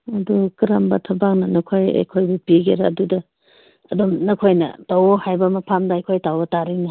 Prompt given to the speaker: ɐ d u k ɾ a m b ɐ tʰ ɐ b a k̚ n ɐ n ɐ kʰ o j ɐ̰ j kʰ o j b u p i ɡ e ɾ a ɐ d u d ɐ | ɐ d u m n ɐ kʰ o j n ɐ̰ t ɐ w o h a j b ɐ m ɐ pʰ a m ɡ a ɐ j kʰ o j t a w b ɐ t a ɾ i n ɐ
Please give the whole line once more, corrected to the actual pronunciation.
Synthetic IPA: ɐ d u k ɾ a m b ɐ tʰ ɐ b a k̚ n ɐ n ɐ kʰ o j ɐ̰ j kʰ o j b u p i ɡ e ɾ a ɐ d u d ɐ | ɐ d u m n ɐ kʰ o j n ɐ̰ t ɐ w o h a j b ɐ m ɐ pʰ a m d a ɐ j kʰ o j t a w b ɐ t a ɾ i n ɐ